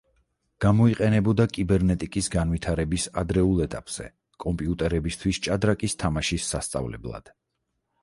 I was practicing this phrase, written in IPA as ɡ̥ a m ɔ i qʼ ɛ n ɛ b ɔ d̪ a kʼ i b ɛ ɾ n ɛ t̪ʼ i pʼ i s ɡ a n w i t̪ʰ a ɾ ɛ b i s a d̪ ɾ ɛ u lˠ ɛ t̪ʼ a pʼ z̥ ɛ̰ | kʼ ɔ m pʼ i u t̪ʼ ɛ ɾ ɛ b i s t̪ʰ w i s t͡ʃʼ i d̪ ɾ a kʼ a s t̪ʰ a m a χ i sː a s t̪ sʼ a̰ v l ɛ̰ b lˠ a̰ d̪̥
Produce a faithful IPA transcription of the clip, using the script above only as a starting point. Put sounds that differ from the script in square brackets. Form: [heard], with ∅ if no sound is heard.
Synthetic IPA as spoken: ɡ̥ a m ɔ i qʼ ɛ n ɛ b ɔ d̪ a kʼ i b ɛ ɾ n ɛ t̪ʼ i [kʼ] i s ɡ a n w i t̪ʰ a ɾ ɛ b i s a d̪ ɾ ɛ u lˠ ɛ t̪ʼ a pʼ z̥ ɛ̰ | kʼ ɔ m pʼ i u t̪ʼ ɛ ɾ ɛ b i s t̪ʰ w i s t͡ʃʼ [a] d̪ ɾ a kʼ [i] s t̪ʰ a m a [ʃ] i sː a s t̪ sʼ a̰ v l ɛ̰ b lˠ a̰ d̪̥

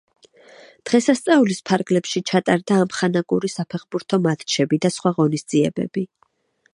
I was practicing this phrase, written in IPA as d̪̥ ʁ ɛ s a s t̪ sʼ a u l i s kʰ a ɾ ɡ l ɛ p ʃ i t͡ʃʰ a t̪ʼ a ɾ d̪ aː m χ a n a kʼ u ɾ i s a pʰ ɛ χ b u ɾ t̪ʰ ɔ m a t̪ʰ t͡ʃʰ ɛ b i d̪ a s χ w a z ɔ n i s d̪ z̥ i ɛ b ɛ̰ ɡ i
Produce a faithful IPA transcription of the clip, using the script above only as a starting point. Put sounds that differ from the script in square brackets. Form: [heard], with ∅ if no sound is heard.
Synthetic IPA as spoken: d̪̥ ʁ ɛ s a s t̪ sʼ a u l i s [pʰ] a ɾ ɡ l ɛ p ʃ i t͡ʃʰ a t̪ʼ a ɾ d̪ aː m χ a n a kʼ u ɾ i s a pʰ ɛ χ b u ɾ t̪ʰ ɔ m a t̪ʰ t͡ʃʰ ɛ b i d̪ a s χ w a [ʁ] ɔ n i s d̪ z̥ i ɛ b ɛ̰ [b] i

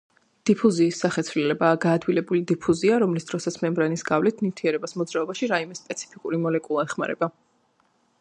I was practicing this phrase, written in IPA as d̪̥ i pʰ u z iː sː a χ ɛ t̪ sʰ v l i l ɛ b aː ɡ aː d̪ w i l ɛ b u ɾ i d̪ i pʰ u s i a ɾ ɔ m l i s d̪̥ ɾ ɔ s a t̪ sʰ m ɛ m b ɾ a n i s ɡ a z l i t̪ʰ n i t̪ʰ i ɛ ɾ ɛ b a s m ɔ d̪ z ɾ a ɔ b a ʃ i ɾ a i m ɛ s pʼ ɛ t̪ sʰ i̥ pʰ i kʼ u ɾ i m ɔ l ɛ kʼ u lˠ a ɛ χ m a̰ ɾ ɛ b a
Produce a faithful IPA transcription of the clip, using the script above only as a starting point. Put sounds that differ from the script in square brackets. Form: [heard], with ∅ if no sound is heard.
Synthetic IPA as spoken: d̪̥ i pʰ u z iː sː a χ ɛ t̪ sʰ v l i l ɛ b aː ɡ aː d̪ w i l ɛ b u [l] i d̪ i pʰ u [z] i a ɾ ɔ m l i s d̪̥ ɾ ɔ s a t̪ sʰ m ɛ m b ɾ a n i s ɡ a [v] l i t̪ʰ n i t̪ʰ i ɛ ɾ ɛ b a s m ɔ d̪ z ɾ a ɔ b a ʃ i ɾ a i m ɛ s pʼ ɛ t̪ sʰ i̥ pʰ i kʼ u ɾ i m ɔ l ɛ kʼ u lˠ a ɛ χ m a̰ ɾ ɛ b a

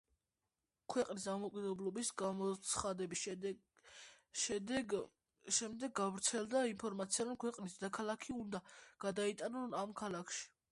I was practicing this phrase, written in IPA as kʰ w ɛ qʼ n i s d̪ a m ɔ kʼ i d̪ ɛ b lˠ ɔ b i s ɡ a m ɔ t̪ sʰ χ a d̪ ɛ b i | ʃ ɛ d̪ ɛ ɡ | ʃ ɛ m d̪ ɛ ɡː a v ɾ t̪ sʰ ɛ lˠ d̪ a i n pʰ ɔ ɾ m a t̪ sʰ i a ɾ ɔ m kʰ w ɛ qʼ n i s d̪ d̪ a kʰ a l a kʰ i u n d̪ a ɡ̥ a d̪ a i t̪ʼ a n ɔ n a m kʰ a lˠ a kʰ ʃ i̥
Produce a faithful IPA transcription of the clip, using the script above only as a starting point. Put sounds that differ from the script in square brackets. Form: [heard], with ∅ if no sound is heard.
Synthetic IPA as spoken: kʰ w ɛ qʼ n i s d̪ a m ɔ kʼ i d̪ ɛ b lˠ ɔ b i s ɡ a m ɔ t̪ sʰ χ a d̪ ɛ b i | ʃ ɛ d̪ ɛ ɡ | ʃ ɛ m d̪ ɛ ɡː a v ɾ t̪ sʰ ɛ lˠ d̪ a i n pʰ ɔ ɾ m a t̪ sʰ i a ɾ ɔ m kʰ w ɛ qʼ n i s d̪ d̪ a kʰ a l a kʰ i u n d̪ a ɡ̥ a d̪ a i t̪ʼ a n ɔ n a m kʰ a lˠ a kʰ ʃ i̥

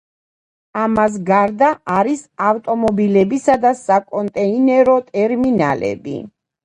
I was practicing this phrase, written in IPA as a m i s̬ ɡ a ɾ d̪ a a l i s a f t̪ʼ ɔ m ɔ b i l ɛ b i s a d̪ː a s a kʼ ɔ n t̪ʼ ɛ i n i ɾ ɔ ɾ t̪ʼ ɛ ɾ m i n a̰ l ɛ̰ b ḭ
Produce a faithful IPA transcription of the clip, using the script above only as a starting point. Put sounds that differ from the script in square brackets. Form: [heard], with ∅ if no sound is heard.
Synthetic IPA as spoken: a m [a] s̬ ɡ a ɾ d̪ a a [ɾ] i s a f t̪ʼ ɔ m ɔ b i l ɛ b i s a [d̪] a s a kʼ ɔ n t̪ʼ ɛ i n [ɛ] ɾ ɔ [∅] t̪ʼ ɛ ɾ m i n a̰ l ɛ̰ b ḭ

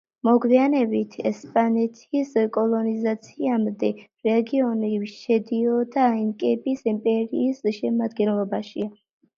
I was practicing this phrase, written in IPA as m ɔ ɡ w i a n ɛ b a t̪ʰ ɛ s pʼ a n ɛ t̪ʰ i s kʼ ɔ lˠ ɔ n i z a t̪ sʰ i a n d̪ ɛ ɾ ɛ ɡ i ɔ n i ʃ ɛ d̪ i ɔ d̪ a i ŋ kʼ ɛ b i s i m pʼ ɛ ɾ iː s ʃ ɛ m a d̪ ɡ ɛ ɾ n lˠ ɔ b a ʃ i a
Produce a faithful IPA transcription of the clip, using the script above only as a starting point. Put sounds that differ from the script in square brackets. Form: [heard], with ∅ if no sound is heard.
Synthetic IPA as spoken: m ɔ ɡ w i a n ɛ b [i] t̪ʰ ɛ s pʼ a n ɛ t̪ʰ i s kʼ ɔ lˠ ɔ n i z a t̪ sʰ i a [m] d̪ ɛ ɾ ɛ ɡ i ɔ n i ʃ ɛ d̪ i ɔ d̪ a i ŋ kʼ ɛ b i s i m pʼ ɛ ɾ iː s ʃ ɛ m a d̪ ɡ ɛ [∅] n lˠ ɔ b a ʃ i a

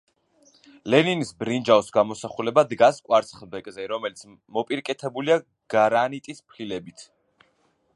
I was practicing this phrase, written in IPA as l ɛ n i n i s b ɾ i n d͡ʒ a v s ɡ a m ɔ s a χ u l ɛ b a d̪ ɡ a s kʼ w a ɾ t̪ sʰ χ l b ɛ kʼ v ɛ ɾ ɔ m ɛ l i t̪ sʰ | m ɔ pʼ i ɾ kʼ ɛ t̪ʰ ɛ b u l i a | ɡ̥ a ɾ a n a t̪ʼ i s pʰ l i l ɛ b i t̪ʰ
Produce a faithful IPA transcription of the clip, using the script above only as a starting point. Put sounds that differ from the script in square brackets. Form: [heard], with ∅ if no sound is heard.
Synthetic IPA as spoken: l ɛ n i n i s b ɾ i n d͡ʒ a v s ɡ a m ɔ s a χ u l ɛ b a d̪ ɡ a s kʼ w a ɾ t̪ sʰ χ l b ɛ kʼ [z] ɛ ɾ ɔ m ɛ l i t̪ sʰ | m ɔ pʼ i ɾ kʼ ɛ t̪ʰ ɛ b u l i a | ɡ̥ a ɾ a n [i] t̪ʼ i s pʰ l i l ɛ b i t̪ʰ

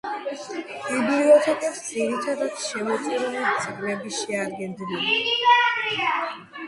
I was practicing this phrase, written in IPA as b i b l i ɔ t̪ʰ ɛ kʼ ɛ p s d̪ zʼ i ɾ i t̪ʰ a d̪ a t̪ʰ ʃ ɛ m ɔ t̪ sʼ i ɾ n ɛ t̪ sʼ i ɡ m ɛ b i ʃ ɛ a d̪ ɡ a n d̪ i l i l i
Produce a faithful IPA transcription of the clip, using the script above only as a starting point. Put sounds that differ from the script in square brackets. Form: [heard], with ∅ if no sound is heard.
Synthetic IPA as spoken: b i b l i ɔ t̪ʰ ɛ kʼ ɛ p s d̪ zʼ i ɾ i t̪ʰ a d̪ a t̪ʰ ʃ ɛ m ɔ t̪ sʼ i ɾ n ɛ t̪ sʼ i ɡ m ɛ b i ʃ ɛ a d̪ ɡ [ɛ] n d̪ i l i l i

